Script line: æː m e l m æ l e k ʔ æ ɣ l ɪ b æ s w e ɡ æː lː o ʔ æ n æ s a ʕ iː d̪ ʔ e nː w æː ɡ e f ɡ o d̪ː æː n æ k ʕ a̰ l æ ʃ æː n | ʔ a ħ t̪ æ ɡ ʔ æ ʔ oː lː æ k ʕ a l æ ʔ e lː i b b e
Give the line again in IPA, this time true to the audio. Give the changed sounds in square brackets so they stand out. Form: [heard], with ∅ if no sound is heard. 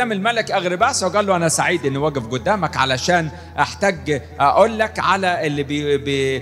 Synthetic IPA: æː m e l m æ l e k ʔ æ ɣ [ɾ] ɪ b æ s w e ɡ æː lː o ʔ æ n æ s a ʕ iː d̪ ʔ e nː w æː ɡ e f ɡ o d̪ː æː [m] æ k ʕ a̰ l æ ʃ æː n | ʔ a ħ t̪ æ ɡ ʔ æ ʔ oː lː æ k ʕ a l æ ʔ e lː i b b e